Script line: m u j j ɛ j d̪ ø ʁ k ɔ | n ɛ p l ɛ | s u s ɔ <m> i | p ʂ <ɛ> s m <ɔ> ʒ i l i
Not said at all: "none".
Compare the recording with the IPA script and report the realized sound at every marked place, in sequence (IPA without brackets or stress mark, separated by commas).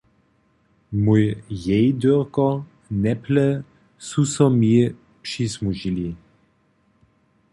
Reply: m, i, u